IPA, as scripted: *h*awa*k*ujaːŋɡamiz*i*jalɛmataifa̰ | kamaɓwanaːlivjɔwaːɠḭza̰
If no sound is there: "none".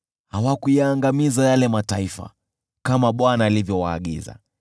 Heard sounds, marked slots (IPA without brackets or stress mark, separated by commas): h, k, a